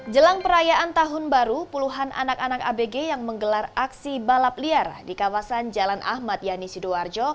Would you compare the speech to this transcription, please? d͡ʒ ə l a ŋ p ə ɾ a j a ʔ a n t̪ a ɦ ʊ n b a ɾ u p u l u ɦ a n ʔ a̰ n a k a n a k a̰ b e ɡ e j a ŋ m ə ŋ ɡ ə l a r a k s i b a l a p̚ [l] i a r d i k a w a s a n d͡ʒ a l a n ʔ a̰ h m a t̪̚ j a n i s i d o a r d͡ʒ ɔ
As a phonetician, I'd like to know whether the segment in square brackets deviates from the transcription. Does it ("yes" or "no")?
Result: no